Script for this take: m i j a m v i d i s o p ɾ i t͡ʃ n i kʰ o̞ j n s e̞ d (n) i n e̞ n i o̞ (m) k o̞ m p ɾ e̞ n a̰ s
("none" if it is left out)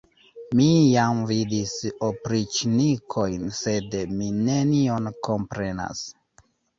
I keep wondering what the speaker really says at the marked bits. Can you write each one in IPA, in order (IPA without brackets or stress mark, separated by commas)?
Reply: m, n